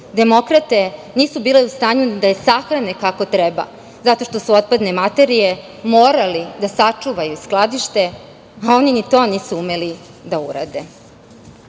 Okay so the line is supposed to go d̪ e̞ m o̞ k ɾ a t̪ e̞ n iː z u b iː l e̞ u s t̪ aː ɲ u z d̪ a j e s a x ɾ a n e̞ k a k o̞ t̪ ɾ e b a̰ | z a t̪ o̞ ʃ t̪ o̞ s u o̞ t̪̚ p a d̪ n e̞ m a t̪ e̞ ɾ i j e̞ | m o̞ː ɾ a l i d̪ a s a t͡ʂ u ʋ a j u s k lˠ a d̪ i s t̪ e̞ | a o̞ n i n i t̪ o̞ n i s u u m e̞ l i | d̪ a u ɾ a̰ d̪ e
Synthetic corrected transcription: d̪ e̞ m o̞ k ɾ a t̪ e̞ n iː s u b iː l e̞ u s t̪ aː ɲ u d̪ a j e s a x ɾ a n e̞ k a k o̞ t̪ ɾ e b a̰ | z a t̪ o̞ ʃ t̪ o̞ s u o̞ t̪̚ p a d̪ n e̞ m a t̪ e̞ ɾ i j e̞ | m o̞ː ɾ a l i d̪ a s a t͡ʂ u ʋ a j u s k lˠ a d̪ i ʃ t̪ e̞ | a o̞ n i n i t̪ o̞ n iː s u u m e̞ l i | d̪ a u ɾ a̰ d̪ e